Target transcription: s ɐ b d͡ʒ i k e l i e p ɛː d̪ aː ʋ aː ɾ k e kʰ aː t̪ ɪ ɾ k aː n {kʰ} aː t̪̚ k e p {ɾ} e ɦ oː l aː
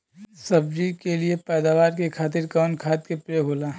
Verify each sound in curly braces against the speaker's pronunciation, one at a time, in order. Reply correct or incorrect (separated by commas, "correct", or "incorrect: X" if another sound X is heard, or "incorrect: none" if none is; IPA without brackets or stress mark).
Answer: correct, correct